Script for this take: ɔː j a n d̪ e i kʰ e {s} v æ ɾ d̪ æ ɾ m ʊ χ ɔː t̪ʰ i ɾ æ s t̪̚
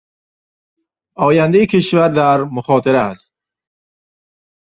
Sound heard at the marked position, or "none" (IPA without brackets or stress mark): ʃ